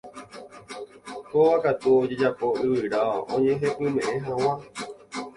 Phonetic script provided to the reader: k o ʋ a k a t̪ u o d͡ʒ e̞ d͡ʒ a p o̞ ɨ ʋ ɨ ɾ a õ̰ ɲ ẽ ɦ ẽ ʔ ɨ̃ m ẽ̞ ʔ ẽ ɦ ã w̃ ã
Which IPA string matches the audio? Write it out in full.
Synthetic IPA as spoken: k o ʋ a k a t̪ u o d͡ʒ e̞ d͡ʒ a p o̞ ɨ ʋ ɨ ɾ a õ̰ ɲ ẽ ɦ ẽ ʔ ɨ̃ m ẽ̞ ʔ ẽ ɦ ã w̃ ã